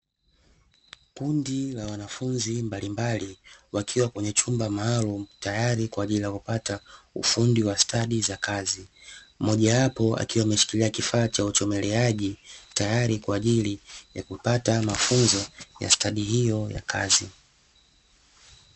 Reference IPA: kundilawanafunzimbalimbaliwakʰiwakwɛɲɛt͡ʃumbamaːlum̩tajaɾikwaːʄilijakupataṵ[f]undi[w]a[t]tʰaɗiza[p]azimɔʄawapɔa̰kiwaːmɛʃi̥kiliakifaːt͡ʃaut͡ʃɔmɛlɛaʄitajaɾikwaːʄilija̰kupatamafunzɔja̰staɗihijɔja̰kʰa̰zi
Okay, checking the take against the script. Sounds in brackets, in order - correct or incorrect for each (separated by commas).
correct, correct, incorrect, incorrect